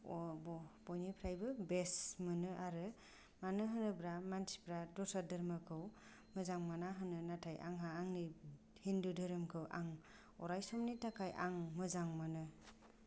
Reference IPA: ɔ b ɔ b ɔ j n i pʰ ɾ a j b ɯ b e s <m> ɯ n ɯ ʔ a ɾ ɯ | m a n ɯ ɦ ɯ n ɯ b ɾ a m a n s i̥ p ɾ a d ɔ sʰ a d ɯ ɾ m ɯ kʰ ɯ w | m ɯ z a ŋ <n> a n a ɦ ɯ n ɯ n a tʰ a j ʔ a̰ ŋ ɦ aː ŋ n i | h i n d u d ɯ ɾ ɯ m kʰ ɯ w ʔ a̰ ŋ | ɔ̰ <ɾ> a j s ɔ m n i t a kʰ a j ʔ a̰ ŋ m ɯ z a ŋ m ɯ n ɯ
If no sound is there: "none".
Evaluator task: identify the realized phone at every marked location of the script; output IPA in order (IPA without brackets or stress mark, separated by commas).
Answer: m, m, ɾ